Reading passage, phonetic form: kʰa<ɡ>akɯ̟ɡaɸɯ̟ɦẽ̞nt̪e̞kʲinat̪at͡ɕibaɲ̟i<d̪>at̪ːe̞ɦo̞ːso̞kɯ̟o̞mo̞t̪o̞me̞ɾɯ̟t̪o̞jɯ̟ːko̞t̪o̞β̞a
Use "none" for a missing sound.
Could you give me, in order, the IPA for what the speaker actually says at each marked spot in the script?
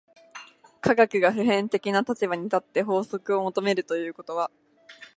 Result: ɡ, t̪

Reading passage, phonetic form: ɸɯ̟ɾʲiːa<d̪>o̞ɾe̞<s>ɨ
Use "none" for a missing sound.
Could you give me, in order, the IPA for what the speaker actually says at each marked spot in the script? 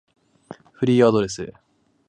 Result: d̪, s

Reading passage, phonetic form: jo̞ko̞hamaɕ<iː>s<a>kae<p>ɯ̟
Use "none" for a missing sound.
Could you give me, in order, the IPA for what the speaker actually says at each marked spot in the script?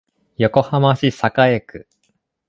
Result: i, a, k

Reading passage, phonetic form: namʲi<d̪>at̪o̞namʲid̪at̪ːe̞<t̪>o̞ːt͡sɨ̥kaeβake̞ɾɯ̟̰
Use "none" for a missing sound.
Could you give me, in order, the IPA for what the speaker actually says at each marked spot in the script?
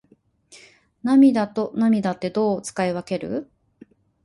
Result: d̪, d̪

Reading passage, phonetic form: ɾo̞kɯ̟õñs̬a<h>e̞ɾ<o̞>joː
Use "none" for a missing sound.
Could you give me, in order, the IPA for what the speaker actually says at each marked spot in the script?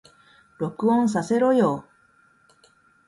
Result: s, o̞

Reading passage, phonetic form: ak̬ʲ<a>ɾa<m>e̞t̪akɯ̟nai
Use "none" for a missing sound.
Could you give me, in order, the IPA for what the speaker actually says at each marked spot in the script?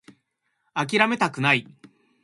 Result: i, m

